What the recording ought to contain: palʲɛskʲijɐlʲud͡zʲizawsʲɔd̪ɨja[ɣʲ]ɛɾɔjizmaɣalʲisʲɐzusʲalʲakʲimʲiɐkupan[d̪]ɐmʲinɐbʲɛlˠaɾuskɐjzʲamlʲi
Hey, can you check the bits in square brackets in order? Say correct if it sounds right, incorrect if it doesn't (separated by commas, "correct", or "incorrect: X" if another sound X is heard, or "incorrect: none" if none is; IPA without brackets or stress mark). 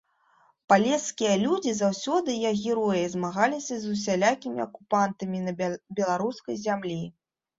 correct, incorrect: t̪